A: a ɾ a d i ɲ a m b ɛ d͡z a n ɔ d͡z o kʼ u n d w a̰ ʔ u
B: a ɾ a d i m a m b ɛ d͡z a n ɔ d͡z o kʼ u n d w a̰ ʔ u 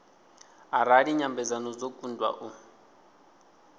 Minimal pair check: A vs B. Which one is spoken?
A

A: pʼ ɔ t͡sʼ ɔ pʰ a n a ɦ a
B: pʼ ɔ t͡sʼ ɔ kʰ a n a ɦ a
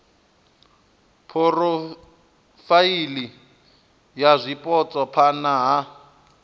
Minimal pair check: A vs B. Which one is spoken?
A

